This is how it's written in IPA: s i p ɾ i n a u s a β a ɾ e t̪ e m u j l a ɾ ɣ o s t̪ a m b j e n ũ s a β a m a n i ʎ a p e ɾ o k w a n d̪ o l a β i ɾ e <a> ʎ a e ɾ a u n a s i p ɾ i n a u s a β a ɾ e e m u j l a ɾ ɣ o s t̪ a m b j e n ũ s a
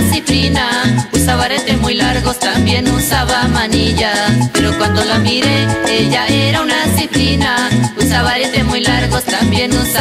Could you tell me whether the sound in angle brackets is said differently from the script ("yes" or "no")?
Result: yes